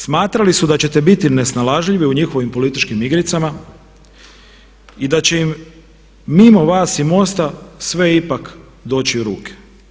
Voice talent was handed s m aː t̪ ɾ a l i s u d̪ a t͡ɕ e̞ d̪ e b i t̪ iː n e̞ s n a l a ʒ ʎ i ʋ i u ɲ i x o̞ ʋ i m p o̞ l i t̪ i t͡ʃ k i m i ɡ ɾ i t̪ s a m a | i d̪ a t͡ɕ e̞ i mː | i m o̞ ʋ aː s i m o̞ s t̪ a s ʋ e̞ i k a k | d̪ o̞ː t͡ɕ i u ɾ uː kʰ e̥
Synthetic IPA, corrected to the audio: s m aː t̪ ɾ a l i s u d̪ a t͡ɕ e̞ t̪ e b i t̪ i n e̞ s n a l a ʒ ʎ i ʋ i u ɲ i x o̞ ʋ i m p o̞ l i t̪ i t͡ʃ k i m i ɡ ɾ i t̪ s a m a | i d̪ a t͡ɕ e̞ i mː | i m o̞ ʋ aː s i m o̞ s t̪ a s ʋ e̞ i p a k | d̪ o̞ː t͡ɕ i u ɾ uː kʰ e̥